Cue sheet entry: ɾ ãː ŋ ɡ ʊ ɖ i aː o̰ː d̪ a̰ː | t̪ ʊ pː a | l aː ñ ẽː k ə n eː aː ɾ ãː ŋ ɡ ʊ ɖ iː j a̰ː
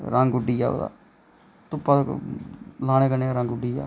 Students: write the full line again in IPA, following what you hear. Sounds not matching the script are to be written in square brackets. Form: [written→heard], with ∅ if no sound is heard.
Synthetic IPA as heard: ɾ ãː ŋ ɡ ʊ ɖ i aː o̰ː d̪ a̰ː | t̪ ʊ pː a | l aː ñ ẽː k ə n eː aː ɾ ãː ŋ ɡ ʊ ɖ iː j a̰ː